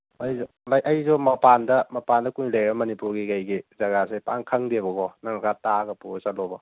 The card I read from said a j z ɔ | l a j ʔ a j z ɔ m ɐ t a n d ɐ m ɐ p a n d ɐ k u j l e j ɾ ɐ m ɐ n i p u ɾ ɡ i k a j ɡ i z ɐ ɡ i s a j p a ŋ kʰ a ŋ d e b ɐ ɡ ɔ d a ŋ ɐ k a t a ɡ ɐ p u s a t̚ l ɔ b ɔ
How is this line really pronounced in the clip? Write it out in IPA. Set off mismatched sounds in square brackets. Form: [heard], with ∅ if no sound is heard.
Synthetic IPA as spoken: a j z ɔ | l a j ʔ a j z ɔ m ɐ [p] a n d ɐ m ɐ p a n d ɐ k u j l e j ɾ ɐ m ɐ n i p u ɾ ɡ i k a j ɡ i z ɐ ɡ [a] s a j p a ŋ kʰ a ŋ d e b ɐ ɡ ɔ [n] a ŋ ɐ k a t a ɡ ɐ p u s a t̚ l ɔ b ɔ

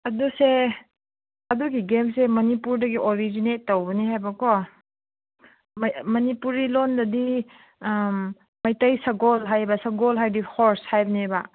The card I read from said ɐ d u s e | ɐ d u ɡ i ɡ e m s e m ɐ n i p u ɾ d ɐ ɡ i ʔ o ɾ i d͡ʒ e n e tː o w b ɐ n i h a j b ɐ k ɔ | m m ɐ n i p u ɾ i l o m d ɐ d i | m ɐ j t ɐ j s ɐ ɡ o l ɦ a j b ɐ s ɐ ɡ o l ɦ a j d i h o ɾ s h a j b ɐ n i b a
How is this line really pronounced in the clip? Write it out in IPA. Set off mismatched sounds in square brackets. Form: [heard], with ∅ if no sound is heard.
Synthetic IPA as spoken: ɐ d u s e | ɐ d u ɡ i ɡ e m s e m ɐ n i p u ɾ d ɐ ɡ i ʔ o ɾ i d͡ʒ [i] n e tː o w b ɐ n i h a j b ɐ k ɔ | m m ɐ n i p u ɾ i l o [n] d ɐ d i | m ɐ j t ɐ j s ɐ ɡ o l ɦ a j b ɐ s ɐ ɡ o l ɦ a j d i h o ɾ s h a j b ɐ n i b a

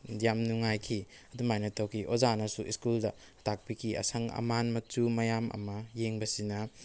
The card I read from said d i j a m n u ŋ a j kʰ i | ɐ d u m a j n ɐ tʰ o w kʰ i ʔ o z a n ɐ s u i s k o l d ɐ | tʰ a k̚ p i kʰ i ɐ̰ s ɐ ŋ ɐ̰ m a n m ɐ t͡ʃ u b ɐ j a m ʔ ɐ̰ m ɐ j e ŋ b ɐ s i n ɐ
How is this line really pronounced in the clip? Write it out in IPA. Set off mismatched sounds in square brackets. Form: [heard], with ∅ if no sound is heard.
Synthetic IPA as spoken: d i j a m n u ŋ a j kʰ i | ɐ d u m a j n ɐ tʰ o w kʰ i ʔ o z a n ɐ s u i s k [u] l d ɐ | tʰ a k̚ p i kʰ i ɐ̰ s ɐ ŋ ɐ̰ m a n m ɐ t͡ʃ u [m] ɐ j a m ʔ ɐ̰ m ɐ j e ŋ b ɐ s i n ɐ

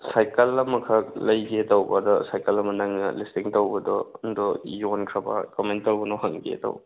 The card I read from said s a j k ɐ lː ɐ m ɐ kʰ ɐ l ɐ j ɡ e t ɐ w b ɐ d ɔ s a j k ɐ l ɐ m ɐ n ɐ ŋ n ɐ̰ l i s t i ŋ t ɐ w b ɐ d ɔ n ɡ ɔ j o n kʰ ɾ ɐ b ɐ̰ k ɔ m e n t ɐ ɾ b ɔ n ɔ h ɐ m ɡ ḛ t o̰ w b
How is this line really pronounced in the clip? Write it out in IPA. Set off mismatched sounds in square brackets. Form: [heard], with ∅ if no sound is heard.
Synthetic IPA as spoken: s a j k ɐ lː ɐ m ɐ kʰ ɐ l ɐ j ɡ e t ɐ w b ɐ d ɔ s a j k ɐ l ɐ m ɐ n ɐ ŋ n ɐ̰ l i s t i ŋ t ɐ w b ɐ d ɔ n [d] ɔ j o n kʰ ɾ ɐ b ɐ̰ k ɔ m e n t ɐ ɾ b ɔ n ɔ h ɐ [ŋ] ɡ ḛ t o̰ w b

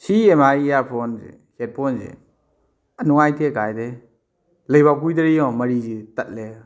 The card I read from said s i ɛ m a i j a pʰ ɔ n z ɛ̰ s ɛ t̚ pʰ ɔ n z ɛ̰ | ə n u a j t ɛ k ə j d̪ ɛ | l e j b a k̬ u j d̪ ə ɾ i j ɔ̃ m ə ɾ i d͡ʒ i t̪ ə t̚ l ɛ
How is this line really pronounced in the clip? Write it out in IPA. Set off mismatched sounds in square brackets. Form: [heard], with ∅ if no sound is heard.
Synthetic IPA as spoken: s i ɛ m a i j a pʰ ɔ n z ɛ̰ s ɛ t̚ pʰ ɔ n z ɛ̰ | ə n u a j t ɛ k [a] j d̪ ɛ | l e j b a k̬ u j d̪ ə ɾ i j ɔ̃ m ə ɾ i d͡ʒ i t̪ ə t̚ l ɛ

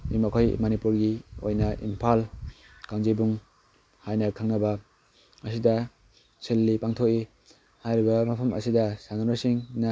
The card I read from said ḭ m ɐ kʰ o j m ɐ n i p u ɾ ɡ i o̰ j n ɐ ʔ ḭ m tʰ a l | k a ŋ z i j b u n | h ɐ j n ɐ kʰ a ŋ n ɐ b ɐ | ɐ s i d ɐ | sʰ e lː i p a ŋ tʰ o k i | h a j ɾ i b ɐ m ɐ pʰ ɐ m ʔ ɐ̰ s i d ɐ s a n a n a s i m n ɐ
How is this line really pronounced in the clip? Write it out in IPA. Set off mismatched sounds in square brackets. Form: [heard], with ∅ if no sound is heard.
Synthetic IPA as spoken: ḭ m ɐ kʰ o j m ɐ n i p u ɾ ɡ i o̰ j n ɐ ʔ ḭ m [pʰ] a l | k a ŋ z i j b u [ŋ] | h [a] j n ɐ kʰ a ŋ n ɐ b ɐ | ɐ s i d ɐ | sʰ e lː i p a ŋ tʰ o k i | h a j ɾ i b ɐ m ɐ pʰ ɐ m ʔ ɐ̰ s i d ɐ s a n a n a s i [ŋ] n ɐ

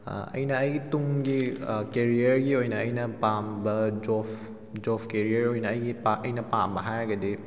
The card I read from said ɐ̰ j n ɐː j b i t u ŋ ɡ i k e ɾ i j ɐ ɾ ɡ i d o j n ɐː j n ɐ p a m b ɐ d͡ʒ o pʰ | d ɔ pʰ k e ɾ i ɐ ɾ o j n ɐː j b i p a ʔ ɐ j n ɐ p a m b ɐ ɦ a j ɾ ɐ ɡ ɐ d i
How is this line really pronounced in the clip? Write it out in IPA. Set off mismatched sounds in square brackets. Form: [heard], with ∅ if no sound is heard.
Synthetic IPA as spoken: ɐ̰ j n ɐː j [ɡ] i t u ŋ ɡ i k e ɾ i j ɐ ɾ ɡ i [∅] o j n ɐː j n ɐ p a m b ɐ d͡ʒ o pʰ | [d͡ʒ] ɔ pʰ k e ɾ i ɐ ɾ o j n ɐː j [ɡ] i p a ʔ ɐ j n ɐ p a m b ɐ ɦ a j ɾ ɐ ɡ ɐ d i

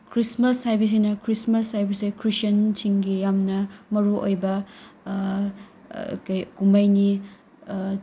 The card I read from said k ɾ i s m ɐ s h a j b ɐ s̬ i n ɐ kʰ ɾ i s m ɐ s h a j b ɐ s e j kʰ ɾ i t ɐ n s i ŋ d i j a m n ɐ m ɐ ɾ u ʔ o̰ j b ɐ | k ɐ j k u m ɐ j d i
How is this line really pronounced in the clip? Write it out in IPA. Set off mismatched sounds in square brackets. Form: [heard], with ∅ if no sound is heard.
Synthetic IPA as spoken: k ɾ i s m ɐ s h a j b ɐ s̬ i n ɐ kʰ ɾ i s m ɐ s h a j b ɐ s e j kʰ ɾ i [s] ɐ n s i ŋ [ɡ] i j a m n ɐ m ɐ ɾ u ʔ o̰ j b ɐ | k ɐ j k u m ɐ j [n] i

